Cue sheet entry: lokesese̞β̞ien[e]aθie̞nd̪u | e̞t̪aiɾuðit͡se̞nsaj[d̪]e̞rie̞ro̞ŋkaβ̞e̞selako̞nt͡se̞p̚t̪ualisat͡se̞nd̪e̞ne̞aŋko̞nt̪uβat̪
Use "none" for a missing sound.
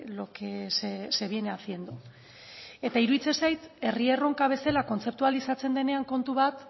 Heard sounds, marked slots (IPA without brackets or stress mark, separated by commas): e, t̪